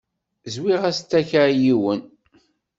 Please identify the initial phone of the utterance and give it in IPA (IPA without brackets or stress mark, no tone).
z